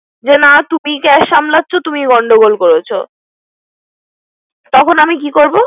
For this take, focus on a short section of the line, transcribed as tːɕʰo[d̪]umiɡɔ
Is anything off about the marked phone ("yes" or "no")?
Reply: yes